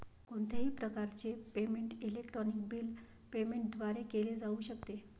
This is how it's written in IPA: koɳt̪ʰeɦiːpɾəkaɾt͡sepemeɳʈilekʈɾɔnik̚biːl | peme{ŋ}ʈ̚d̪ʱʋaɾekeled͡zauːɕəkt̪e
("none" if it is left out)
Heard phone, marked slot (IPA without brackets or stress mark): ɳ